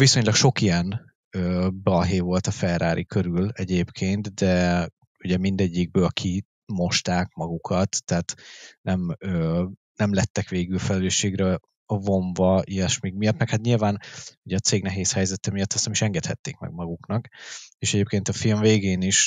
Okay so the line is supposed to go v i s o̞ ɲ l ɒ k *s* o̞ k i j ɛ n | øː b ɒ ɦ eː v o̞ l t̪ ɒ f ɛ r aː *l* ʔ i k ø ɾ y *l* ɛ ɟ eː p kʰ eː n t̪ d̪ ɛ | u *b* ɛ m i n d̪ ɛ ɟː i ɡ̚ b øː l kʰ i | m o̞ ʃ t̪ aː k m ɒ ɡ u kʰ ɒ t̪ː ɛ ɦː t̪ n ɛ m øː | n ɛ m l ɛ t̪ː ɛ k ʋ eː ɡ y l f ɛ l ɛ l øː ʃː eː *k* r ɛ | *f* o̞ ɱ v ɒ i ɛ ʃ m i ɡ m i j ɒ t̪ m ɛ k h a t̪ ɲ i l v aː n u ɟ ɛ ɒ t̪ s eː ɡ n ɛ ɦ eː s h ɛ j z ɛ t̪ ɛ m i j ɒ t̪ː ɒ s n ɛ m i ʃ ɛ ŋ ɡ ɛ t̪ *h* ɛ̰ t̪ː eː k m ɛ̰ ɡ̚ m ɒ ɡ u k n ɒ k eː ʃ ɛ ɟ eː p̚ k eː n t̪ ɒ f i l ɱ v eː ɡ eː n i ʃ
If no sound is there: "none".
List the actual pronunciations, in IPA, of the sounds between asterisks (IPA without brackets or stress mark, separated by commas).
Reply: ʃ, ɾ, l, ɟ, ɡ, v, h